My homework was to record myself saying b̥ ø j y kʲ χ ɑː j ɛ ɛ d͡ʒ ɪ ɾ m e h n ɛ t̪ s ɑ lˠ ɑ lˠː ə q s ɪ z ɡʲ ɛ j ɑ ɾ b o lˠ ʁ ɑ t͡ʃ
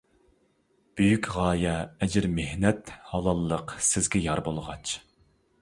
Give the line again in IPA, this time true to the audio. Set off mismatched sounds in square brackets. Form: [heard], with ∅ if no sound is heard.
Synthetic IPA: b̥ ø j y kʲ [ʁ] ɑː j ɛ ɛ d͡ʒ ɪ ɾ m e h n ɛ t̪ [h] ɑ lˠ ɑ lˠː ə q s ɪ z ɡʲ ɛ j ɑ ɾ b o lˠ ʁ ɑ t͡ʃ